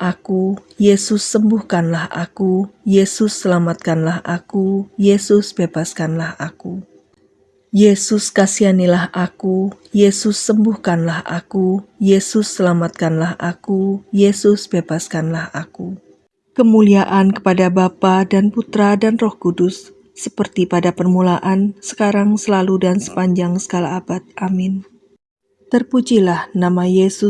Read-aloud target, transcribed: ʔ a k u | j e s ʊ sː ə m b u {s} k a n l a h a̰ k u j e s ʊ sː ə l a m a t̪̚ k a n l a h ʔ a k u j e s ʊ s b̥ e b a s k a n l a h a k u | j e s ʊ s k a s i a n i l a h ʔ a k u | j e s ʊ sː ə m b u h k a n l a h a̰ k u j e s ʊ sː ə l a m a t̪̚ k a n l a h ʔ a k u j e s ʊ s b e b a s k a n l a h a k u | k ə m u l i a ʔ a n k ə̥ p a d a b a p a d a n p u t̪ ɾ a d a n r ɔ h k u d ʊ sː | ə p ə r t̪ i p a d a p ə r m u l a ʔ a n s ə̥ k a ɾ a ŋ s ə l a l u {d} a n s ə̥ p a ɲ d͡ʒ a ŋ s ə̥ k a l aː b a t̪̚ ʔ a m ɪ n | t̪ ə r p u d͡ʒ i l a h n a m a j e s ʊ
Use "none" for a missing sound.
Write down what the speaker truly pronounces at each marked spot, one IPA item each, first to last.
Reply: h, d

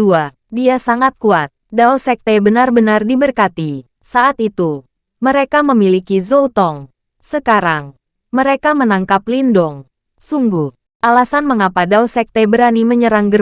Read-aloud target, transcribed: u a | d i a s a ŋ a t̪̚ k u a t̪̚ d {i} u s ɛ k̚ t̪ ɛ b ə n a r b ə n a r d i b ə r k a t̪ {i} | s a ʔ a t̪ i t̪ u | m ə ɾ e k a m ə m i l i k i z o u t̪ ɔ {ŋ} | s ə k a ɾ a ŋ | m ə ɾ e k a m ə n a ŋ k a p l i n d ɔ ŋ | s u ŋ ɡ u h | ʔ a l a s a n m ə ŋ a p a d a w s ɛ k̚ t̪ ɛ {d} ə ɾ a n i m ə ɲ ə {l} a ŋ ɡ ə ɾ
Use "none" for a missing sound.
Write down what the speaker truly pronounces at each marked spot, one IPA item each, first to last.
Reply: a, i, ŋ, b, ɾ

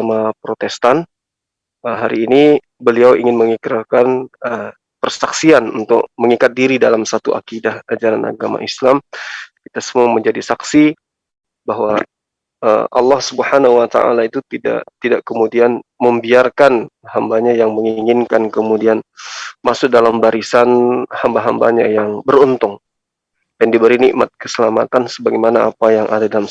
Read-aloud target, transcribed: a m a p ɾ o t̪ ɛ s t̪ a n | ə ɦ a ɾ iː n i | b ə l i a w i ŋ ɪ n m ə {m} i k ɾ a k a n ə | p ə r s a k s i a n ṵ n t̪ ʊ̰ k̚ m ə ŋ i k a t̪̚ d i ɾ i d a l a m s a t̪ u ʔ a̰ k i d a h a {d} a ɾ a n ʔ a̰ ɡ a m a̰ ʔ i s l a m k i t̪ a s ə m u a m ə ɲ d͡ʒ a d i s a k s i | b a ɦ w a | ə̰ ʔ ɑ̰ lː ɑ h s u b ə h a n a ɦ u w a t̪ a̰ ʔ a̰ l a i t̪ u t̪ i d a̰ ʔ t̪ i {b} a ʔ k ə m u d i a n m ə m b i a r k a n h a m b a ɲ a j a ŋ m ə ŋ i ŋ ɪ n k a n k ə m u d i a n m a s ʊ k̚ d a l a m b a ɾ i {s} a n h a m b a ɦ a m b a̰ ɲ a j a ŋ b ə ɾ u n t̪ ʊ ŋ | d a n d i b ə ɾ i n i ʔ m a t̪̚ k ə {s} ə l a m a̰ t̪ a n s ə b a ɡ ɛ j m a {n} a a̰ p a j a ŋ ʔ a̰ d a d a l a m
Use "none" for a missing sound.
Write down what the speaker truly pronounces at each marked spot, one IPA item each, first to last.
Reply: ŋ, d͡ʒ, d, s, s, n

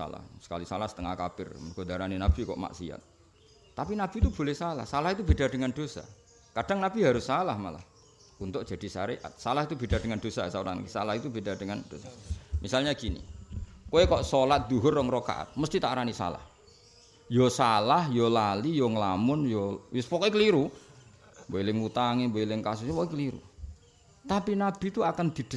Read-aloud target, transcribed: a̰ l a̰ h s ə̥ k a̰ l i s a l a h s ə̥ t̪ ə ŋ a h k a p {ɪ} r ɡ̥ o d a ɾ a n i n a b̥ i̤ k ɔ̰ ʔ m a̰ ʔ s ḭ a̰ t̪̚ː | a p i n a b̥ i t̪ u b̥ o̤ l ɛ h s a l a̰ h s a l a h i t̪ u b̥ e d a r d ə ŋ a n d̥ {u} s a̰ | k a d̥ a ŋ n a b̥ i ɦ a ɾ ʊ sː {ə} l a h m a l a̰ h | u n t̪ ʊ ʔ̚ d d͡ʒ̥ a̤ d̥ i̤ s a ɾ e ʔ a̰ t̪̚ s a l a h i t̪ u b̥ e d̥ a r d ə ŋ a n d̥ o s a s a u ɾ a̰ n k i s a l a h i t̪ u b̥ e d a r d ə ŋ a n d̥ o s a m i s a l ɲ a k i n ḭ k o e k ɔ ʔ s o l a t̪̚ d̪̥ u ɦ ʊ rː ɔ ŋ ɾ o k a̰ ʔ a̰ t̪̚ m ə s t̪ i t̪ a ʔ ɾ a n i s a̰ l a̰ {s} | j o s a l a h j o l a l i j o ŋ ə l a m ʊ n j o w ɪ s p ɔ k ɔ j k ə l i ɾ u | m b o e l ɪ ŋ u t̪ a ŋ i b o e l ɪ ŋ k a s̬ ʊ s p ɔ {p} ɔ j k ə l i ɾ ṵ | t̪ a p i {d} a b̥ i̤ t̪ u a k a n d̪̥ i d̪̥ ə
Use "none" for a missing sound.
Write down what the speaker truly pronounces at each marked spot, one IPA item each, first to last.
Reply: ɪ, o, a, h, k, n

